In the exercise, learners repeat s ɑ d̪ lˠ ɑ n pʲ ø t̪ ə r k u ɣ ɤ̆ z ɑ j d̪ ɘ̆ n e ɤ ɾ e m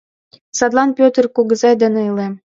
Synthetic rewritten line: s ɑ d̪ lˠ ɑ n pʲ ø t̪ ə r k u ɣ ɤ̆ z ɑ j d̪ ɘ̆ n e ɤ l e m